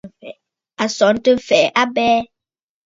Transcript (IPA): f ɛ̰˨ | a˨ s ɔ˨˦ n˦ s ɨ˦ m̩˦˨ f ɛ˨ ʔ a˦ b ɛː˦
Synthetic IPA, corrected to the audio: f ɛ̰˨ | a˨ s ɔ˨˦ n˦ t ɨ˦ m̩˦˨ f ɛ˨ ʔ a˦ b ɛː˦